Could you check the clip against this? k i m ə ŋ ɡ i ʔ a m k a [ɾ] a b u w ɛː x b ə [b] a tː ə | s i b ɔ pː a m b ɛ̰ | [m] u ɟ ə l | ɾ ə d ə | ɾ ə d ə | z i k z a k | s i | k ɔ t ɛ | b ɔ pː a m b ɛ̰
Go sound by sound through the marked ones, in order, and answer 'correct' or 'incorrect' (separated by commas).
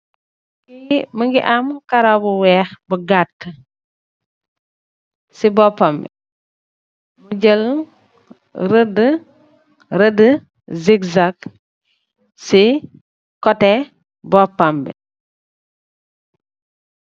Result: correct, incorrect, correct